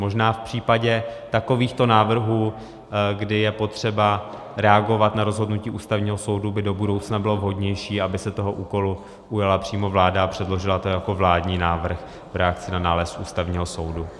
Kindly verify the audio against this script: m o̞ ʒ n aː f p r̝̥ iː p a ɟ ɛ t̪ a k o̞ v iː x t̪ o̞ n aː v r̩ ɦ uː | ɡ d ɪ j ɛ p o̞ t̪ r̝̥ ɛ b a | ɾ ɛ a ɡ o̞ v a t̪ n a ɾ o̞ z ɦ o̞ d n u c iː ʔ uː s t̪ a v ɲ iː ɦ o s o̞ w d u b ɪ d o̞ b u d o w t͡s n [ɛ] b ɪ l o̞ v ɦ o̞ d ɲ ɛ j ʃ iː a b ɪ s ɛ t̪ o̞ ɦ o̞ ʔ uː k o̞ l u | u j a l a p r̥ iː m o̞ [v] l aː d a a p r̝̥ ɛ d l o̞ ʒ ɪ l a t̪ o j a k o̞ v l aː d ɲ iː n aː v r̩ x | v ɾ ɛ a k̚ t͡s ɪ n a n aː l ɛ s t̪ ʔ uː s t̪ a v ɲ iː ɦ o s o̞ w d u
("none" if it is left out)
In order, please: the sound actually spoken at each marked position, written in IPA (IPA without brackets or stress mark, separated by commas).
a, v